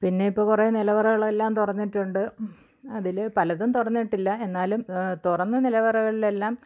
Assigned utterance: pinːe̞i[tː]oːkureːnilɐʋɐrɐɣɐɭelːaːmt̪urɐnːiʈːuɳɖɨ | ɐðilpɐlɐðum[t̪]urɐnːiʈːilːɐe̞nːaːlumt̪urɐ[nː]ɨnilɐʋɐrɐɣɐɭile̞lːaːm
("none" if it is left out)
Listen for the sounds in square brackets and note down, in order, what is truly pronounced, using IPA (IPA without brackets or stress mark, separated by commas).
pː, t̪, nː